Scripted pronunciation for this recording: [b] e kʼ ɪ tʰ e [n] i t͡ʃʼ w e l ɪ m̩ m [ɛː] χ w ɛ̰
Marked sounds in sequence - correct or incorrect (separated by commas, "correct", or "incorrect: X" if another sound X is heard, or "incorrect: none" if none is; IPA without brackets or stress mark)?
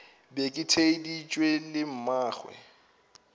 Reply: correct, incorrect: d, incorrect: aː